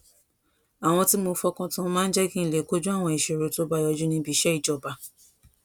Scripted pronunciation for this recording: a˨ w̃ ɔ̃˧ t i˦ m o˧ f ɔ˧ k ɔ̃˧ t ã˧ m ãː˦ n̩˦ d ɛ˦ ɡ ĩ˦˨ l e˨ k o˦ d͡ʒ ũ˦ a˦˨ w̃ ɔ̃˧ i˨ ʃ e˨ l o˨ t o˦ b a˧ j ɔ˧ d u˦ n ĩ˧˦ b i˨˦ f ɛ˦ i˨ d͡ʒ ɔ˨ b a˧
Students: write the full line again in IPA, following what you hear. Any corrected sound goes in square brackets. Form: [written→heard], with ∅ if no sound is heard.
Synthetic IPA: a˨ w̃ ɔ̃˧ t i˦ m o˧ f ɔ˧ k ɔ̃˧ t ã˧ m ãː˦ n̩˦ [d→d͡ʒ] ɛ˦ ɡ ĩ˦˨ l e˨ k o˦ d͡ʒ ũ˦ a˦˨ w̃ ɔ̃˧ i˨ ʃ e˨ [l→ɾ] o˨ t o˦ b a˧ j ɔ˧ [d→d͡ʒ] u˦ n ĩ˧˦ b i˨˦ [f→ʃ] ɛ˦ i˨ d͡ʒ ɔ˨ b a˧